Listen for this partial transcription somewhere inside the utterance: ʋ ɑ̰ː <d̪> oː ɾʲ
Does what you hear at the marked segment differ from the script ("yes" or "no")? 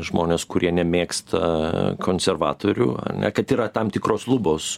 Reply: yes